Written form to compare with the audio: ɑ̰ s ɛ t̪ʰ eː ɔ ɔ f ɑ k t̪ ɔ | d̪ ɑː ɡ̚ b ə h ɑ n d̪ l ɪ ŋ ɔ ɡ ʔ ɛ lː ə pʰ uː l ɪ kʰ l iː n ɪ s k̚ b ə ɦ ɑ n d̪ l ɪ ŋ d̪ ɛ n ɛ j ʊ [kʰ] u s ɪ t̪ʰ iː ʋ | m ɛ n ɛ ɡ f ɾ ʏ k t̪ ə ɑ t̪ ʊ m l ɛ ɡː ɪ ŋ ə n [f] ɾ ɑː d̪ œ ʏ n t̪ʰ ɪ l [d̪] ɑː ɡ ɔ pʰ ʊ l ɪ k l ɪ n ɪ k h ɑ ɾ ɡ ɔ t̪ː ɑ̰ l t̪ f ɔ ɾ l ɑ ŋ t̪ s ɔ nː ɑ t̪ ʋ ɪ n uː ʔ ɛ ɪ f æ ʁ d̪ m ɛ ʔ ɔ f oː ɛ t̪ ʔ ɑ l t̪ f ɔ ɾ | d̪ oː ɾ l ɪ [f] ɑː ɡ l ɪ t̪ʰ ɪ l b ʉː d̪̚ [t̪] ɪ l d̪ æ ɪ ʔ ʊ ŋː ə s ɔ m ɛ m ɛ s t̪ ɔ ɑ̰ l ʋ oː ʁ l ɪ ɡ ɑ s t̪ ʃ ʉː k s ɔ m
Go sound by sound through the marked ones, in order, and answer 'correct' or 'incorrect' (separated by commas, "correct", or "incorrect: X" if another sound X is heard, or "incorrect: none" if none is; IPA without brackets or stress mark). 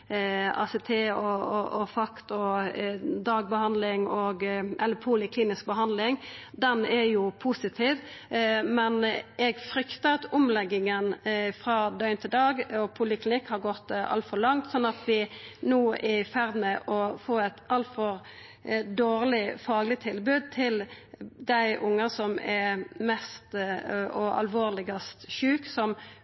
incorrect: pʰ, correct, correct, correct, incorrect: t̪ʰ